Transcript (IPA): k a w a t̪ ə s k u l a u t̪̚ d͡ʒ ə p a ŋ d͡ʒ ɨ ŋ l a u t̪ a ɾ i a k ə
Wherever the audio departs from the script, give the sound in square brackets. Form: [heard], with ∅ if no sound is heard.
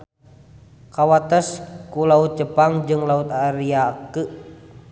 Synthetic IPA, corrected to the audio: k a w a t̪ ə s k u l a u t̪̚ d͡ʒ ə p a ŋ d͡ʒ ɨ ŋ l a u t̪ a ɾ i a k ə